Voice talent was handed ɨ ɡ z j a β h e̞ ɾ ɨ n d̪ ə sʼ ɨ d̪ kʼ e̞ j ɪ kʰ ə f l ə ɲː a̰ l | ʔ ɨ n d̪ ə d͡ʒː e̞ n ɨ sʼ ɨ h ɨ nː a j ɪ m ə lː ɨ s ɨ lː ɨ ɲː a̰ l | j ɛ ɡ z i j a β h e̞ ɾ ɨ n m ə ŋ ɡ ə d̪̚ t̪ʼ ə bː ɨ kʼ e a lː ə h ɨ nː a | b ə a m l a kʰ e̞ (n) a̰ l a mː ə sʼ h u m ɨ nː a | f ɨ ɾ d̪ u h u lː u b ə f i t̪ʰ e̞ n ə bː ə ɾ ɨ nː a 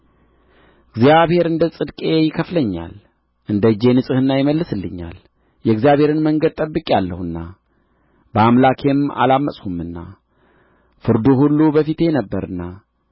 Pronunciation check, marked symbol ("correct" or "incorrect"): incorrect